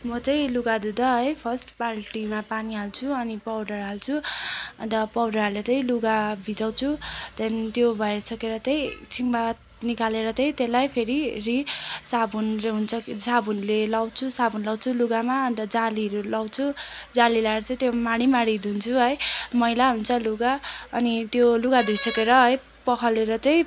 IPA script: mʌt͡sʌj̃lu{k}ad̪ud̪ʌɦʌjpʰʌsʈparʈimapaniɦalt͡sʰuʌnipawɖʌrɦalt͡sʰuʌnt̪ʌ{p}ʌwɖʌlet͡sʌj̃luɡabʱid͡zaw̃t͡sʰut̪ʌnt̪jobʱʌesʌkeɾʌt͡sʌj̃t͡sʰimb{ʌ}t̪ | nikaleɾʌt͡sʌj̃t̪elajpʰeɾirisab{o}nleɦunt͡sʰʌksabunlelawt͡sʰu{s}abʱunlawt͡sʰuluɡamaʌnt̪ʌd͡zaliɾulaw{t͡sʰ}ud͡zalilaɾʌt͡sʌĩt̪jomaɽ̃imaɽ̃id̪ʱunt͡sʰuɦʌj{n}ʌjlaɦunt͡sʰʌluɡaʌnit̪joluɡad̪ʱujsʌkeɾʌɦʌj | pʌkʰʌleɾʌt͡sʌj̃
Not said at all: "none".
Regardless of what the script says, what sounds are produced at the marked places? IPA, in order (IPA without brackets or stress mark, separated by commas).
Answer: ɡ, p, a, u, s, t͡sʰ, m